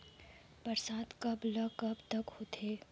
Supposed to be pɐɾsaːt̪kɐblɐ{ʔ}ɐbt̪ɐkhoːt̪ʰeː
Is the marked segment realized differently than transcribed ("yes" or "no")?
yes